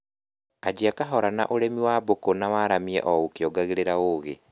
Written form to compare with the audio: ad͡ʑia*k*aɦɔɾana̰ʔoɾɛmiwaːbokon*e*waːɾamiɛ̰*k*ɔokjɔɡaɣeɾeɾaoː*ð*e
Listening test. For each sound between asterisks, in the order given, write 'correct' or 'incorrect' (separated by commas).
correct, incorrect, incorrect, incorrect